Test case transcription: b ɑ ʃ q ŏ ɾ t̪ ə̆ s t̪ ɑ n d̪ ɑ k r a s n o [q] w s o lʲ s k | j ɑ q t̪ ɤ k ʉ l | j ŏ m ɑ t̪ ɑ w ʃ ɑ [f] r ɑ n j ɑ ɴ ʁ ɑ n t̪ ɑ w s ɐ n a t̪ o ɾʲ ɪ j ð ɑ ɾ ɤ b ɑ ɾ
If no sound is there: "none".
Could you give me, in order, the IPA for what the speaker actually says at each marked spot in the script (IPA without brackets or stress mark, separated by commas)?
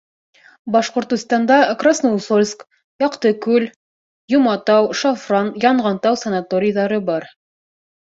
none, f